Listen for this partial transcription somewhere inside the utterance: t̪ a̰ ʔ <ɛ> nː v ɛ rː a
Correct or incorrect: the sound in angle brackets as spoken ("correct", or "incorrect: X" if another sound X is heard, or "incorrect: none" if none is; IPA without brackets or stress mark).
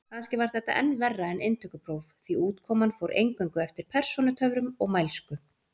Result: correct